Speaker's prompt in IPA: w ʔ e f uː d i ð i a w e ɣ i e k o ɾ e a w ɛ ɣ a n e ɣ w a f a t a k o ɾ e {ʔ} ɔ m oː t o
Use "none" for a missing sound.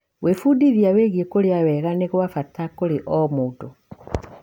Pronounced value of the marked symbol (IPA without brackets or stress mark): ʔ